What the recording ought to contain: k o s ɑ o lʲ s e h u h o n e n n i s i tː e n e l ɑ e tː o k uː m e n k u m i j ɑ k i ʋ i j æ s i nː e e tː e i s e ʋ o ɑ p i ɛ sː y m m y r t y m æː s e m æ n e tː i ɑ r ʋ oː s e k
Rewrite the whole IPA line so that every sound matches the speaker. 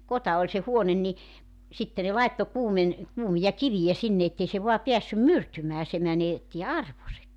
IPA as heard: k o t ɑ o lʲ s e h u o n e n n i s i tː e n e l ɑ e tː o k uː m e n k uː m i j ɑ k i ʋ i j æ s i nː e e tː e i s e ʋ o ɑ p i æ sː y m m y r t y m æː s e m æ n e tː i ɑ r ʋ o s e k